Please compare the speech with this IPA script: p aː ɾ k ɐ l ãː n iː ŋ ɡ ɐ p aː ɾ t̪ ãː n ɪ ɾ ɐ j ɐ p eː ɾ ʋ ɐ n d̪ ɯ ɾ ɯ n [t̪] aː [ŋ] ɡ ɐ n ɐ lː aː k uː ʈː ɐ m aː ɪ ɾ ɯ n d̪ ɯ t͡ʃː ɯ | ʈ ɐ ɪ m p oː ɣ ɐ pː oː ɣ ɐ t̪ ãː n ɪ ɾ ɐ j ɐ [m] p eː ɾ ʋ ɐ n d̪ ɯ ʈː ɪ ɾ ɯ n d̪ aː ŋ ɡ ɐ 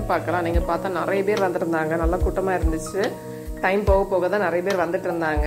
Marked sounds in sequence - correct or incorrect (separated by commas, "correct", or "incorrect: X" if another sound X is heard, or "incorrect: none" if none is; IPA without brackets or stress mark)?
incorrect: d̪, correct, incorrect: none